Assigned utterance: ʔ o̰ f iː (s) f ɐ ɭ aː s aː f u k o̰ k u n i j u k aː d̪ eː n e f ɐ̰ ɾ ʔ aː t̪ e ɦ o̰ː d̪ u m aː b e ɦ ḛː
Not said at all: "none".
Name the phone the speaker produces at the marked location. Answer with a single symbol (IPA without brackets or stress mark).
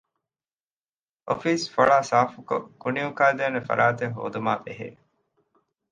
s